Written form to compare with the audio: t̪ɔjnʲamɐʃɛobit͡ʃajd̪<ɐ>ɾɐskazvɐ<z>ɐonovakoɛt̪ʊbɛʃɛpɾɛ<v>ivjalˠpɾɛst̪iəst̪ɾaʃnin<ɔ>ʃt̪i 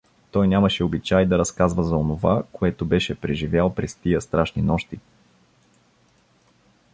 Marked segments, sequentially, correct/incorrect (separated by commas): correct, correct, incorrect, correct